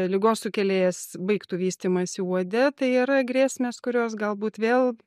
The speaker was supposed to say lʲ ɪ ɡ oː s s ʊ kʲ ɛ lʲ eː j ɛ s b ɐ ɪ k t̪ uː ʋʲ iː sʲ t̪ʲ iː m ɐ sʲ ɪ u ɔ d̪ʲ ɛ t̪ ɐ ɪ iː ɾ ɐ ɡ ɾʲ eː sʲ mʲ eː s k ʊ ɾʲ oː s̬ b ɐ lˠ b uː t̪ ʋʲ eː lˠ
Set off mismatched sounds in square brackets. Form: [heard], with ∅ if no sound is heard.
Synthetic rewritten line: lʲ ɪ ɡ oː s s ʊ kʲ ɛ lʲ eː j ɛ s b ɐ ɪ k t̪ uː ʋʲ iː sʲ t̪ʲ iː m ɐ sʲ ɪ u ɔ d̪ʲ ɛ t̪ ɐ ɪ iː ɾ ɐ ɡ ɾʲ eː sʲ mʲ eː s k ʊ ɾʲ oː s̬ [ɡ] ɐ lˠ b uː t̪ ʋʲ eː lˠ